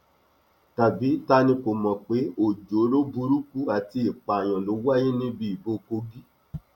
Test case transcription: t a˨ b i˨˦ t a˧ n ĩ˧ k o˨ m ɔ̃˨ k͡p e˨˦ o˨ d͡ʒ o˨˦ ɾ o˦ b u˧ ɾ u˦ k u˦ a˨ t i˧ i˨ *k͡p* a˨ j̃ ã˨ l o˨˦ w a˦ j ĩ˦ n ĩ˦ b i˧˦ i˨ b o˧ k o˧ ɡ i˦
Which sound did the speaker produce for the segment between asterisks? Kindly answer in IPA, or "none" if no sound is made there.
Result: k͡p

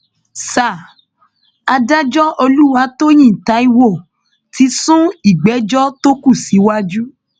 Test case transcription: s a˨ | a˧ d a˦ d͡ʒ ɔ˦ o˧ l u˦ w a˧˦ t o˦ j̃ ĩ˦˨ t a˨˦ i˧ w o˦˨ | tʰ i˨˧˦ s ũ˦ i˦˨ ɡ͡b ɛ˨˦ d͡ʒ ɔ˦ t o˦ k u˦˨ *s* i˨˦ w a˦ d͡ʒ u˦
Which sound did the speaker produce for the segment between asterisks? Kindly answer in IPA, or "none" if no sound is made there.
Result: s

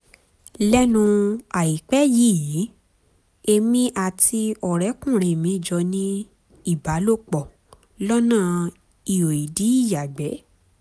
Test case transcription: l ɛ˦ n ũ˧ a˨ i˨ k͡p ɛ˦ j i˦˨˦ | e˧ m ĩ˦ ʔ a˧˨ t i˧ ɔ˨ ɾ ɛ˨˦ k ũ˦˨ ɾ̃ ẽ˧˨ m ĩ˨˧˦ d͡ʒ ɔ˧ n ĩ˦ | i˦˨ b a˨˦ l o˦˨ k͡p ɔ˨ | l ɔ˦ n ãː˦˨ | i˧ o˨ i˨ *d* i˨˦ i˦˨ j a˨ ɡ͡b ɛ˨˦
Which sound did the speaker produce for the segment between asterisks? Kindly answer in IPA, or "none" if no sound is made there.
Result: d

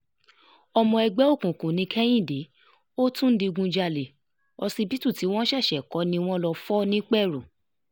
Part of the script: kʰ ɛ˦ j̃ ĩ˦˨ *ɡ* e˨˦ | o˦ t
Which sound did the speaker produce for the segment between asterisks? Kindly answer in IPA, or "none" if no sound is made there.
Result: d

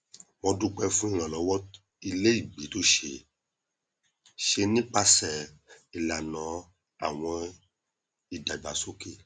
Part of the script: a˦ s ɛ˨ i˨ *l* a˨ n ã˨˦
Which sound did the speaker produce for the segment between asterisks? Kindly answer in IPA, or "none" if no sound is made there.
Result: l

